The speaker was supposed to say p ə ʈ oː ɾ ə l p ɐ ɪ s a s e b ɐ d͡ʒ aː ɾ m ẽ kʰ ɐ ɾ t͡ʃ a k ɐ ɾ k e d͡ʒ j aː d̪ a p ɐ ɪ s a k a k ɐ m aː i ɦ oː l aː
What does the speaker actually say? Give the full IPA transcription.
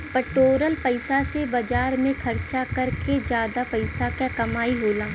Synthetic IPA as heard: p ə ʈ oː ɾ ə l p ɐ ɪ s a s e b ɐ d͡ʒ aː ɾ m ẽ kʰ ɐ ɾ t͡ʃ a k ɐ ɾ k e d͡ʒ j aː d̪ a p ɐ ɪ s a k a k ɐ m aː i ɦ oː l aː

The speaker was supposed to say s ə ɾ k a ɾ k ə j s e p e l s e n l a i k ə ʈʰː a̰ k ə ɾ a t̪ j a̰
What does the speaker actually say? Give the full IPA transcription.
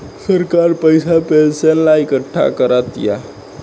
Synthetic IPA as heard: s ə ɾ k a ɾ p ə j s a p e l s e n l a i k ə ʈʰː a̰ k ə ɾ a t̪ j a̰

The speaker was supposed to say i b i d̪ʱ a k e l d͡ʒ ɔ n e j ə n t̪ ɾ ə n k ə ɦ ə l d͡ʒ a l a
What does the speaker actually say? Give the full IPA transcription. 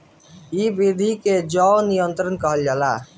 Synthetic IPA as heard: i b i d̪ʱ i k e d͡ʒ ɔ n i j ə n t̪ ɾ ə n k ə ɦ ə l d͡ʒ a l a

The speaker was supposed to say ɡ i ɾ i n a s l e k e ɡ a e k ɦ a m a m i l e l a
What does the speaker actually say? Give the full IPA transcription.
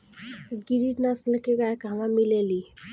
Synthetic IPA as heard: ɡ i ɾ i n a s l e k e ɡ a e k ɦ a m a m i l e l i

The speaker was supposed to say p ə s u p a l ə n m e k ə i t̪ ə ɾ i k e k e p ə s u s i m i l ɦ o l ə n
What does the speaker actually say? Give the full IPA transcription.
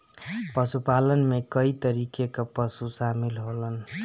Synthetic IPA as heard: p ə s u p a l ə n m e k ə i t̪ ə ɾ i k e k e p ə s u s a m i l ɦ o l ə n

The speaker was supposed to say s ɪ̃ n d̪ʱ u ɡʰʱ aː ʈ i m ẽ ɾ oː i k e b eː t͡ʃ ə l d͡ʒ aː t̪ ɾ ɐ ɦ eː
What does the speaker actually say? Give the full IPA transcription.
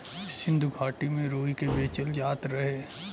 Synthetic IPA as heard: s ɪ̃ n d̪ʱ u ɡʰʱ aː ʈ i m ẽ ɾ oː i k e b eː t͡ʃ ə l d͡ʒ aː t̪ ɾ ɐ ɦ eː

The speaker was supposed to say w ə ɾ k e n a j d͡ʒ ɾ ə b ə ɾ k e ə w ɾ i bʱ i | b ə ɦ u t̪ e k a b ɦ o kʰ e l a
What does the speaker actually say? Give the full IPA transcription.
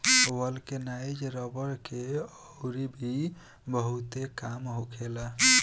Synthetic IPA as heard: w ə l k e n a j d͡ʒ ɾ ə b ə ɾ k e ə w ɾ i bʱ i | b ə ɦ u t̪ e k a m ɦ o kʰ e l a

